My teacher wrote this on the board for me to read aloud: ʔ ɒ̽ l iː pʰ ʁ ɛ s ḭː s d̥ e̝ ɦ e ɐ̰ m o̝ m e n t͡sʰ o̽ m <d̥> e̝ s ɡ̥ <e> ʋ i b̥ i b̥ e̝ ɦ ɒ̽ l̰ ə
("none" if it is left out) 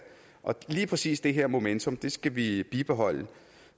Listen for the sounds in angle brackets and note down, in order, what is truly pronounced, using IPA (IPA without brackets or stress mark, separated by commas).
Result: d̥, æ